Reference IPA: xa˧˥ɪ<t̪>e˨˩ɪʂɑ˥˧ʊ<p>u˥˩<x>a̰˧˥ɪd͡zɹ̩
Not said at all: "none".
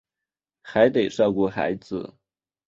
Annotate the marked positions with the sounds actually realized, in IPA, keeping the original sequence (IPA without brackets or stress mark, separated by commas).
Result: t̪, k, x